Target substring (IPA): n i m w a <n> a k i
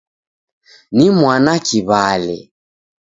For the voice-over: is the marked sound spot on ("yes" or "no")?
yes